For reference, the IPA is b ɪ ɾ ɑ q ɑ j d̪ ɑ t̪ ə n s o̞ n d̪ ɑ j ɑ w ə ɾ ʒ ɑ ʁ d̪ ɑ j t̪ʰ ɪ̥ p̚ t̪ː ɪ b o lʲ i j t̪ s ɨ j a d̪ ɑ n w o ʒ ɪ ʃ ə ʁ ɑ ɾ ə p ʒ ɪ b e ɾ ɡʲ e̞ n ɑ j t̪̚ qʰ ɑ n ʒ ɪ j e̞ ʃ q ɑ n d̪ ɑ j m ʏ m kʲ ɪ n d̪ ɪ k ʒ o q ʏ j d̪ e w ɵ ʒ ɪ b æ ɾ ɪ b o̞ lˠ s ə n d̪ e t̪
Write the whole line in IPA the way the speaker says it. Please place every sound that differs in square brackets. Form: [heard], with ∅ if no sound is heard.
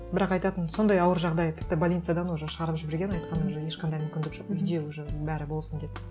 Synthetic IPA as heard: b ɪ ɾ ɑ q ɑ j [t̪] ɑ t̪ ə n s o̞ n d̪ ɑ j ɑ w ə ɾ ʒ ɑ ʁ d̪ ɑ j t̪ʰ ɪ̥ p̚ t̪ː ɪ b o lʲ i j t̪ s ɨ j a d̪ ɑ n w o ʒ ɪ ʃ ə ʁ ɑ ɾ ə p ʒ ɪ b e ɾ ɡʲ e̞ n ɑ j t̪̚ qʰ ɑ n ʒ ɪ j e̞ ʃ q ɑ n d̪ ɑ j m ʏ m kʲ ɪ n d̪ ɪ k ʒ o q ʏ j d̪ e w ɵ ʒ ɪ b æ ɾ ɪ b o̞ lˠ s ə n d̪ e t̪